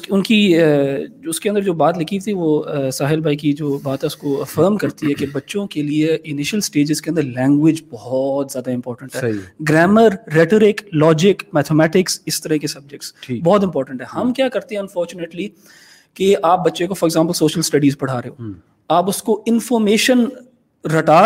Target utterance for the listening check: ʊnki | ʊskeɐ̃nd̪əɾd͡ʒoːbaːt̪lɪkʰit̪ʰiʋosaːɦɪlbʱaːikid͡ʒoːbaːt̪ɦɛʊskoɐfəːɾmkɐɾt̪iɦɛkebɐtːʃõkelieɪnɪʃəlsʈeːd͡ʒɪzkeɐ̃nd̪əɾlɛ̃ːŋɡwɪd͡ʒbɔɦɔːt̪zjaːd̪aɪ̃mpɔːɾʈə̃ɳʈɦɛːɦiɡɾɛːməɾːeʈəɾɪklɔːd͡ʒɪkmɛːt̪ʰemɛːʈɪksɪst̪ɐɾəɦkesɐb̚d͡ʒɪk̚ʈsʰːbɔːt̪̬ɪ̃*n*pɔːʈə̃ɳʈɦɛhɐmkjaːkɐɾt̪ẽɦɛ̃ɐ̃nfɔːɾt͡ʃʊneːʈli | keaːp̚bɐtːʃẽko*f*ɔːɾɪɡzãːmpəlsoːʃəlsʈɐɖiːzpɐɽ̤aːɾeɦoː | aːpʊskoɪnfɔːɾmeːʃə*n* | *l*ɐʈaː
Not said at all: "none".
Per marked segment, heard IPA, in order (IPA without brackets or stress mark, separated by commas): m, f, n, ɾ